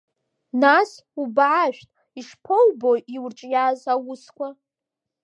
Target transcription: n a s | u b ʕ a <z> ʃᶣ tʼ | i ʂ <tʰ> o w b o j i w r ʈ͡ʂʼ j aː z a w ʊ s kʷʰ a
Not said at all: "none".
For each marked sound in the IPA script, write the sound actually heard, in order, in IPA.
none, pʰ

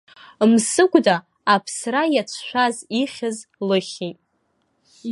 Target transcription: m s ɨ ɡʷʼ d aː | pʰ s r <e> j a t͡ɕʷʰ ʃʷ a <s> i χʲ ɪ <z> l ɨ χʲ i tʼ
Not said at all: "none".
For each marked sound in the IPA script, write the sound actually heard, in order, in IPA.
a, z, z

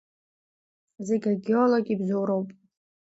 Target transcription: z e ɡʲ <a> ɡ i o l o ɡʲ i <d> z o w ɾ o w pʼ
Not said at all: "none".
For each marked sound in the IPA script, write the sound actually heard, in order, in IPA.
a, b

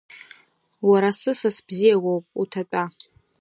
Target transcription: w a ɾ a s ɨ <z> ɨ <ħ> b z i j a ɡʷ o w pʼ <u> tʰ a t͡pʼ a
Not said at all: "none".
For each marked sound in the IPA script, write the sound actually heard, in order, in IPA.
s, s, u

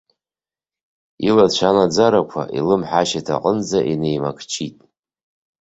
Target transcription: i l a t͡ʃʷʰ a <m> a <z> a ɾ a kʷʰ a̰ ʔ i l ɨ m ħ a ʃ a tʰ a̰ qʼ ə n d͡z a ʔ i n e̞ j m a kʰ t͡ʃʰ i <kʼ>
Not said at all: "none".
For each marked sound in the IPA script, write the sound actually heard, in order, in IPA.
n, d͡z, tʼ

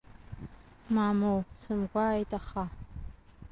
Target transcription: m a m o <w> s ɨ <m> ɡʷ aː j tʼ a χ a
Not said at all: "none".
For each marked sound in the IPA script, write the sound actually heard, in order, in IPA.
w, m

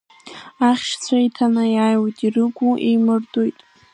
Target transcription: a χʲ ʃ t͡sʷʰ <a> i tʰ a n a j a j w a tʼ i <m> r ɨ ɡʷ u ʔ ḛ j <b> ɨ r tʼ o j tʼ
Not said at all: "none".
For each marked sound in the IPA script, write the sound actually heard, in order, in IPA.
a, none, m

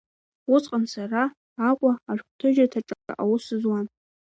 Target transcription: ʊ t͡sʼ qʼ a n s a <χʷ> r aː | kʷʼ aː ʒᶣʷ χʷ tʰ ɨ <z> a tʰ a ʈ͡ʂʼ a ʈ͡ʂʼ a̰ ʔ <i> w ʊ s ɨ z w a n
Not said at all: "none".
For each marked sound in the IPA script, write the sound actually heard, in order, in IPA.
none, ʒ, a

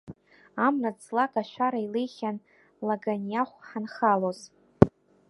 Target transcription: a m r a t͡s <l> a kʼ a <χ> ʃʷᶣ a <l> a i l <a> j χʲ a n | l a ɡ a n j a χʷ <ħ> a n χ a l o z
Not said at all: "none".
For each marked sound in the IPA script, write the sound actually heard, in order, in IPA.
l, none, ɾ, e, ħ

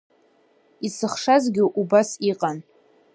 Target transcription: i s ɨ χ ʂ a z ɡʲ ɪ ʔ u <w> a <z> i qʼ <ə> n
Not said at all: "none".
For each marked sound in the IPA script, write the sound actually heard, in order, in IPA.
b, s, a

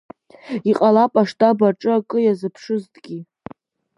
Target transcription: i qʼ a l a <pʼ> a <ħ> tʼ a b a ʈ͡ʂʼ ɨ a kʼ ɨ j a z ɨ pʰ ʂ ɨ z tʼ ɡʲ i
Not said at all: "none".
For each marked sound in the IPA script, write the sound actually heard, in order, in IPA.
pʼ, ʂ

